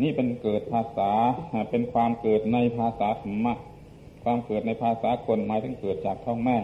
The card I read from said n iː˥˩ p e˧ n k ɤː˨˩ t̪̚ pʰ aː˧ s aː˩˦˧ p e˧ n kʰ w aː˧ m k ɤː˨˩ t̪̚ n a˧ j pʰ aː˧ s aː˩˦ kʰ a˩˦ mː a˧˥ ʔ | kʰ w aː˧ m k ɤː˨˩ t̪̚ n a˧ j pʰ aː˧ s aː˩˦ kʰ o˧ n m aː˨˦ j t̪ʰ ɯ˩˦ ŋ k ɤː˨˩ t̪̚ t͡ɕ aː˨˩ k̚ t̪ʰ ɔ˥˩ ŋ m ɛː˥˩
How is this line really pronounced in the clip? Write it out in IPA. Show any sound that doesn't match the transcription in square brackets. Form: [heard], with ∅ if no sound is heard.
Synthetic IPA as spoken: n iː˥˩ p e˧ n k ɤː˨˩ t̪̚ pʰ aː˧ s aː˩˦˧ p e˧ n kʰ w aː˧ m k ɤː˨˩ t̪̚ n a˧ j pʰ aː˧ s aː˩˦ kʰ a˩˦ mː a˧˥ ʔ | kʰ w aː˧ m k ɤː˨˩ t̪̚ n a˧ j pʰ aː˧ s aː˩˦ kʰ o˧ n m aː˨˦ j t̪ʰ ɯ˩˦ ŋ k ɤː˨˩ t̪̚ t͡ɕ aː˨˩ k̚ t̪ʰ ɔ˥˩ ŋ m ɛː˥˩